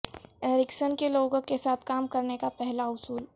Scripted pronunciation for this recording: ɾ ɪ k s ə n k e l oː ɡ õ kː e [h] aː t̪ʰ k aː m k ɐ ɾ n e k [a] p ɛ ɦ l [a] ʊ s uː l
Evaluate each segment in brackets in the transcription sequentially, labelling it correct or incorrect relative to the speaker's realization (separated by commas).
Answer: incorrect, correct, correct